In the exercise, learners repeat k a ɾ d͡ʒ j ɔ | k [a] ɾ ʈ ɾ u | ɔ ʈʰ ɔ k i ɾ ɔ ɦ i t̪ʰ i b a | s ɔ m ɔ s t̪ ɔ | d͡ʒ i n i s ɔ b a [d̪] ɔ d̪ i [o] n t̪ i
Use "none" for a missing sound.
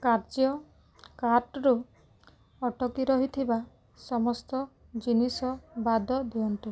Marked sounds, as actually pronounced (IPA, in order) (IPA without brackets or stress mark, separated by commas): a, d̪, ɔ